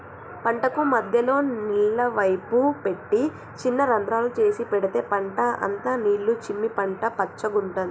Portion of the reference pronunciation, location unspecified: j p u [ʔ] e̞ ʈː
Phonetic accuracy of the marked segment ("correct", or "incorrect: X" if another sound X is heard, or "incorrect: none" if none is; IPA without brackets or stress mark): incorrect: p